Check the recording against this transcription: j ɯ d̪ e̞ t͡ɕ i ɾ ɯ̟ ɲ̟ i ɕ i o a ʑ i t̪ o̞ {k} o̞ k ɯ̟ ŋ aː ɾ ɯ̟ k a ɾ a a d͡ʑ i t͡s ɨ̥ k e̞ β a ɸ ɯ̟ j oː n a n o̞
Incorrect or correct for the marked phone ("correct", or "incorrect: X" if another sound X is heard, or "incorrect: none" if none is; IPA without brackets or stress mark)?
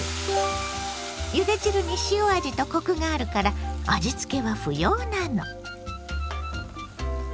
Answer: correct